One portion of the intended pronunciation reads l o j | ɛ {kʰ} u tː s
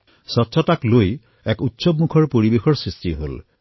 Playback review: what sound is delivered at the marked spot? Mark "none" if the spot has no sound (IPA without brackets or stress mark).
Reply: k